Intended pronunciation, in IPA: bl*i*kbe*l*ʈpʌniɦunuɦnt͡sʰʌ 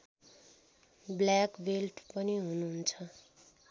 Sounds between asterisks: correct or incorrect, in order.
incorrect: a, correct

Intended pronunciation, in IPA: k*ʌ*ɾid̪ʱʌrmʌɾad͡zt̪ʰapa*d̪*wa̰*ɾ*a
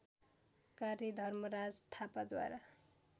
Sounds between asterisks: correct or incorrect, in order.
incorrect: a, correct, correct

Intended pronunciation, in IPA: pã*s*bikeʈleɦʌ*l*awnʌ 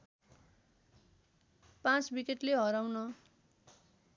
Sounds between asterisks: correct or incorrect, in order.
incorrect: t͡s, incorrect: ɾ

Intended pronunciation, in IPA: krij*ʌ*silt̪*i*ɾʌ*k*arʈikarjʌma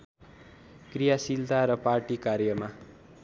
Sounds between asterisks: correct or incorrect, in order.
incorrect: a, incorrect: a, incorrect: p

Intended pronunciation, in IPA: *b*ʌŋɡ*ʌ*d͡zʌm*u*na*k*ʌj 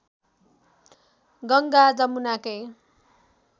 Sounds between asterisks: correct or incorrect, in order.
incorrect: ɡ, incorrect: a, correct, correct

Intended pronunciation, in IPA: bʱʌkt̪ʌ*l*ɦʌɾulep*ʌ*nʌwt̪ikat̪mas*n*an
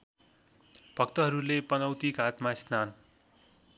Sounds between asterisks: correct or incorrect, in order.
incorrect: none, correct, correct

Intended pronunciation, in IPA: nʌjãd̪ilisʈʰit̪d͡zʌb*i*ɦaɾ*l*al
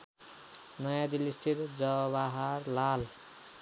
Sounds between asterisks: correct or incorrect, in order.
incorrect: a, correct

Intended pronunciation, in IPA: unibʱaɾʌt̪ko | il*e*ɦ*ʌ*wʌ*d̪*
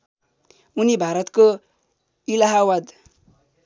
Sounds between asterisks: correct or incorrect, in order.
incorrect: a, incorrect: a, correct

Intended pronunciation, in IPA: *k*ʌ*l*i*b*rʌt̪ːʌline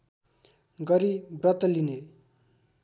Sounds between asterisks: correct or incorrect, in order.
incorrect: ɡ, incorrect: ɾ, correct

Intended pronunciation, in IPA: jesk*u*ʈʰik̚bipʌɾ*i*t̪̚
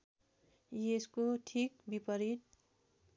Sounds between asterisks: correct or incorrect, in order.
incorrect: o, correct

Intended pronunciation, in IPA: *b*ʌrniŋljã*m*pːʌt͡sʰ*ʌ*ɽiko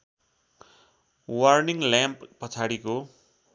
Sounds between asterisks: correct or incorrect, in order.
incorrect: w, correct, incorrect: a

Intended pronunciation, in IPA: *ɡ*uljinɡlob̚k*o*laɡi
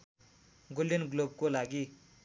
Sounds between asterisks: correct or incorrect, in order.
correct, correct

